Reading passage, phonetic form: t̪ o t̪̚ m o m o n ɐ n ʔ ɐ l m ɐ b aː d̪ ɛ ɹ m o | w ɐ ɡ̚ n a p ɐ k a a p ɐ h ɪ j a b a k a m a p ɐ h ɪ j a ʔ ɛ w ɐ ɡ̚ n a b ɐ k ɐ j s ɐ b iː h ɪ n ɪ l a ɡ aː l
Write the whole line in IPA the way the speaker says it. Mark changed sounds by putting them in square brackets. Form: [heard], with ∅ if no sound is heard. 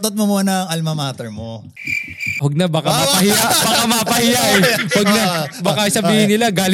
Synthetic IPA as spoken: t̪ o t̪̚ m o m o n ɐ [ŋ] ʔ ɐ l m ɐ [m] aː [t̪] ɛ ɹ m o | w ɐ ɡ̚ n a [b] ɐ k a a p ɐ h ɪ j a b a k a m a p ɐ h ɪ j a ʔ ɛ w ɐ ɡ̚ n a b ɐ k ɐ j s ɐ b iː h ɪ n ɪ l a ɡ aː l